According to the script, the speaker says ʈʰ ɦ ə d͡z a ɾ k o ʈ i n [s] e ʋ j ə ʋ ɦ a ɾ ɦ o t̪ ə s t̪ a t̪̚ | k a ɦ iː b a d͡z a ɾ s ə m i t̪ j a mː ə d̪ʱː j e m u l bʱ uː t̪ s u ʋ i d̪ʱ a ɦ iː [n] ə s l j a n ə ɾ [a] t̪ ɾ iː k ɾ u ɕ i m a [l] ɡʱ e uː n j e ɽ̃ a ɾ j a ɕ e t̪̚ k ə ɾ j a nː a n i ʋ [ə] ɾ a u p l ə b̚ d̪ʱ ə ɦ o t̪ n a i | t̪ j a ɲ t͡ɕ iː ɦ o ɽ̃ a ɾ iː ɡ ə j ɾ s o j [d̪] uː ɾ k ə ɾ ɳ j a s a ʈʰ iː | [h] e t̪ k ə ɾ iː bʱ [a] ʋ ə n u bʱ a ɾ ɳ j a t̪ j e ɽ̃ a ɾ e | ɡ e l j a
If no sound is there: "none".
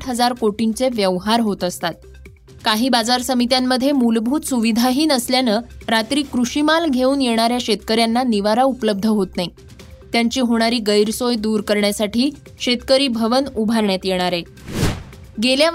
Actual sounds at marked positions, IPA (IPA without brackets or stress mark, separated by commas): t͡s, n, a, l, a, d̪, ɕ, ə